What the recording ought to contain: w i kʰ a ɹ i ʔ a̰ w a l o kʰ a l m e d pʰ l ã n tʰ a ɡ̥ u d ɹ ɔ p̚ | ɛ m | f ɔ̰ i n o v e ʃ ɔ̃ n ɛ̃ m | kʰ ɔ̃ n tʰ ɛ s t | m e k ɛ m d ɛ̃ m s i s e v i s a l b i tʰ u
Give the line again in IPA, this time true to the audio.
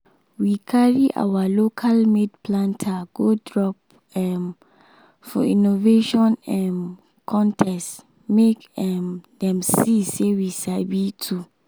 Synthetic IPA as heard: w i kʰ a ɹ i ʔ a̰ w a l o kʰ a l m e d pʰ l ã n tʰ a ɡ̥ o d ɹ ɔ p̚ | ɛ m | f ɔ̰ i n o v e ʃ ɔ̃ n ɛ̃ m | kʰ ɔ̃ n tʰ ɛ s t | m e k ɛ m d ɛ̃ m s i s e w i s a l b i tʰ u